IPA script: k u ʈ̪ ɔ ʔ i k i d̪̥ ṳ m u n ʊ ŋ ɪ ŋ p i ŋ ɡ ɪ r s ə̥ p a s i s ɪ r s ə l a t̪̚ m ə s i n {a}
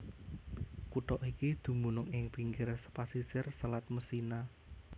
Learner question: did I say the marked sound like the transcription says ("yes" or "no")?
yes